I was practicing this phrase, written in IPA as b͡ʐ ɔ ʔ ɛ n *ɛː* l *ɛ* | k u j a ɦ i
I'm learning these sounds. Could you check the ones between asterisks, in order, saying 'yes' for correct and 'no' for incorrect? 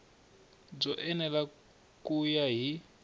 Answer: no, no

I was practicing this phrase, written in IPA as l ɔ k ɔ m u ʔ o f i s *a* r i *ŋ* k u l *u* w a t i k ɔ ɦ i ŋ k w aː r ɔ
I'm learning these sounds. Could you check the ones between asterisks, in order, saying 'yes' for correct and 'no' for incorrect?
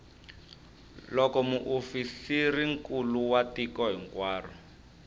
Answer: no, yes, yes

